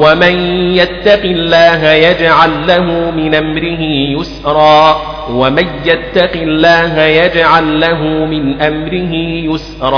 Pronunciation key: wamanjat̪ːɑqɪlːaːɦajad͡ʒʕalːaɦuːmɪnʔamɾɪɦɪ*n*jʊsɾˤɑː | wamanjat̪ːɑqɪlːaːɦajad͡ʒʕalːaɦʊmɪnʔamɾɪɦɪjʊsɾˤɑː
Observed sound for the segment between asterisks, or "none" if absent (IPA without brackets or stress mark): none